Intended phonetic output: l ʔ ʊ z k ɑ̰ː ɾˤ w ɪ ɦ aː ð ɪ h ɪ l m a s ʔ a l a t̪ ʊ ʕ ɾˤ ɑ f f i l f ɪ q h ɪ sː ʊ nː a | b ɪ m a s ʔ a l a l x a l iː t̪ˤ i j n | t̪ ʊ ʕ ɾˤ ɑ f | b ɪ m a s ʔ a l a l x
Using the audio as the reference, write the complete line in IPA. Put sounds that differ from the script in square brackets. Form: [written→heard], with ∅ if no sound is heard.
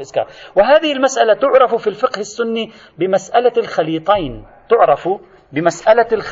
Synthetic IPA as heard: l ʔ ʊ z k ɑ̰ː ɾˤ w ɪ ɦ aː ð ɪ h ɪ l m a s ʔ a l a t̪ ʊ ʕ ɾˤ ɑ f f i l f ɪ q h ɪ sː ʊ nː [a→i] | b ɪ m a s ʔ a l a l x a l iː t̪ˤ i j n | t̪ ʊ ʕ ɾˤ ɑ f | b ɪ m a s ʔ a l a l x